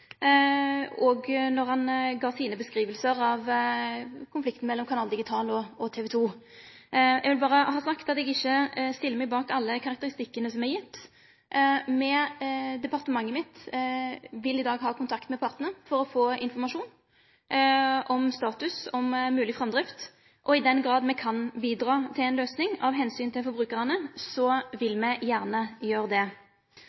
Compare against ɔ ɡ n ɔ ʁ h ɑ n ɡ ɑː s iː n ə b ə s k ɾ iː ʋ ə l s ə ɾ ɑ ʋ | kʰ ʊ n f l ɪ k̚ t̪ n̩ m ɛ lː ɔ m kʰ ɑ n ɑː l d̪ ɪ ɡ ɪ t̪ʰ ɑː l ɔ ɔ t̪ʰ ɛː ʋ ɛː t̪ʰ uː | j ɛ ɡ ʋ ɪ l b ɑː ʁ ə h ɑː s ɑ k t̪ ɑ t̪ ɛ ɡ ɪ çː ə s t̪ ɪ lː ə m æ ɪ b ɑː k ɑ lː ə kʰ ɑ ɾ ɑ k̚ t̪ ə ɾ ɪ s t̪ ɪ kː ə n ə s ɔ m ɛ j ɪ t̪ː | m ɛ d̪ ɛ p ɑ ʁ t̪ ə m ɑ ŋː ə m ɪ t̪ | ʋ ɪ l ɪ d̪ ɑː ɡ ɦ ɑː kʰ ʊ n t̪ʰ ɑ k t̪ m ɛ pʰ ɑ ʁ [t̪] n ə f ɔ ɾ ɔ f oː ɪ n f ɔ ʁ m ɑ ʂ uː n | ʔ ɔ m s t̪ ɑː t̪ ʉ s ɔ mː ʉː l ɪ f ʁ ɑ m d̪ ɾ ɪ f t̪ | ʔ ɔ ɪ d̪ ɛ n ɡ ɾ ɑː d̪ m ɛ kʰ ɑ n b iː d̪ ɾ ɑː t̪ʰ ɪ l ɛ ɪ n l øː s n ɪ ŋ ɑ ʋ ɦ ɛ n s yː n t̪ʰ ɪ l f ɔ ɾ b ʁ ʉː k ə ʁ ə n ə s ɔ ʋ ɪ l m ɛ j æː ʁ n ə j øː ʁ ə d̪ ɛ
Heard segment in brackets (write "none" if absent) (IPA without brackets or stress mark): t̪